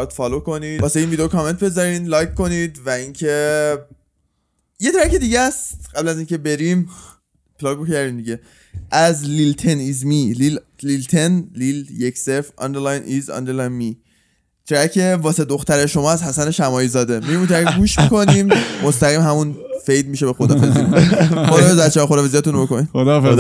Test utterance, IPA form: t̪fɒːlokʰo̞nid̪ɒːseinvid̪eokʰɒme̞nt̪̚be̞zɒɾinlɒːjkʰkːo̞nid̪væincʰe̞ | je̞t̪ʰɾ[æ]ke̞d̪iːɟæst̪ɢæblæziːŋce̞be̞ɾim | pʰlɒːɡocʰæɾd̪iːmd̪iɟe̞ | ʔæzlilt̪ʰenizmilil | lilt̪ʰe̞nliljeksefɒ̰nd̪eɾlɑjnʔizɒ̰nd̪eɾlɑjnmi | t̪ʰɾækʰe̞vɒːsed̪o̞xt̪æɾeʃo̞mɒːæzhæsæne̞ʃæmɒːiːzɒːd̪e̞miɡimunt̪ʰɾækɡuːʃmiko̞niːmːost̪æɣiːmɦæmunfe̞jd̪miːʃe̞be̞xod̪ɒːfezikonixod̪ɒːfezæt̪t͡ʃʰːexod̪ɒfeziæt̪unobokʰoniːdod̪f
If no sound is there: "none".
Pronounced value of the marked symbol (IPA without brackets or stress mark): æ